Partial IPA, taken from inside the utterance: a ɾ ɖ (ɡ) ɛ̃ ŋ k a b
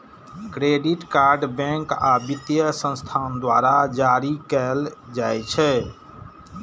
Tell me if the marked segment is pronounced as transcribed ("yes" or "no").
no